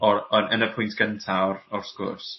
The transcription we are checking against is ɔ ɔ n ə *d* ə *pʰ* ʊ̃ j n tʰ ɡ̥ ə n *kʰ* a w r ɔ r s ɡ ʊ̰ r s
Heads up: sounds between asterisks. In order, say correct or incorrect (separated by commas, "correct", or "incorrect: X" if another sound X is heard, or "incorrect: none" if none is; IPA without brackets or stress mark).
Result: incorrect: n, correct, incorrect: tʰ